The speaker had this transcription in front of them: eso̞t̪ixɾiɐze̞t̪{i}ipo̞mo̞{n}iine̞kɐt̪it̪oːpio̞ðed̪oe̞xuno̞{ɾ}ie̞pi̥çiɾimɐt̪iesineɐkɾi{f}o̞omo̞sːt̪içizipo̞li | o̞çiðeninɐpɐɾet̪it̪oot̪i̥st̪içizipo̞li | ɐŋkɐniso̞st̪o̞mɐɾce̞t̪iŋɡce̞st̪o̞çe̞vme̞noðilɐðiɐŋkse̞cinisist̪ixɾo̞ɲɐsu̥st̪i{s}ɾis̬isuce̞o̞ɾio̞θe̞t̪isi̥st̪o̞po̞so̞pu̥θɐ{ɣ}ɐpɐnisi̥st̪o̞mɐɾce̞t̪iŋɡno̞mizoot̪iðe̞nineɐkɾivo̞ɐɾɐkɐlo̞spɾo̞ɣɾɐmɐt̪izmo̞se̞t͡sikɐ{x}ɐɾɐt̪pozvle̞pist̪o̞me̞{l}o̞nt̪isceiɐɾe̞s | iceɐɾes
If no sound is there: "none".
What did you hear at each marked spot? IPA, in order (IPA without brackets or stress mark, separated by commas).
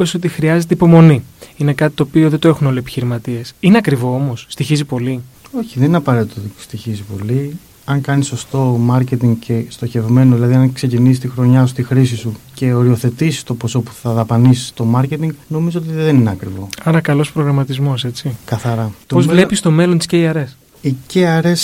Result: e, n, l, v, x, ð, θ, l